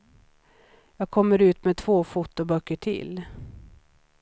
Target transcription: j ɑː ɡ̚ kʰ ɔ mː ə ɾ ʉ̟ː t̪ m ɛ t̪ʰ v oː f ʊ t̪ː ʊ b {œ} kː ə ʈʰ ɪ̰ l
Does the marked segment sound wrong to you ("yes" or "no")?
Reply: no